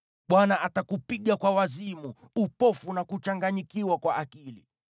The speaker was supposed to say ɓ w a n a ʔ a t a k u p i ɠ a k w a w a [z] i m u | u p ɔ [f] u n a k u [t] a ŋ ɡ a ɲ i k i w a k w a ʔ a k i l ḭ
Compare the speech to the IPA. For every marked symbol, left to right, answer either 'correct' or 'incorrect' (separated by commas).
correct, correct, incorrect